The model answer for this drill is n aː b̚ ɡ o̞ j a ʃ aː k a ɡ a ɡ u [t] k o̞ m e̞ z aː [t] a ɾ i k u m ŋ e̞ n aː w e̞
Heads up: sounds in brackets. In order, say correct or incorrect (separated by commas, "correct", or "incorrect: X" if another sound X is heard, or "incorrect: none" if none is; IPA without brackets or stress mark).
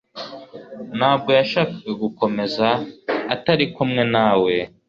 incorrect: none, correct